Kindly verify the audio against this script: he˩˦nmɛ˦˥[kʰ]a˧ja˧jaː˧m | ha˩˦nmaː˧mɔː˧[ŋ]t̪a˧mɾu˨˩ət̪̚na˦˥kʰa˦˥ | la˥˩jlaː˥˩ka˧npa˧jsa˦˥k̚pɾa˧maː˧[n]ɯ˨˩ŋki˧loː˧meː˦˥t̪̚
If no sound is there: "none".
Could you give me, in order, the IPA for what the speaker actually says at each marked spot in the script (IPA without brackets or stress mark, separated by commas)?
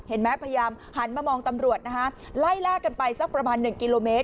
pʰ, ŋ, nː